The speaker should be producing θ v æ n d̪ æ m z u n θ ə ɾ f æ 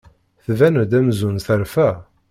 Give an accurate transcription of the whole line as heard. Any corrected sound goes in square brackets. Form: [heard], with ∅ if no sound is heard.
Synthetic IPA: θ v æ n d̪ æ m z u n θ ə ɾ f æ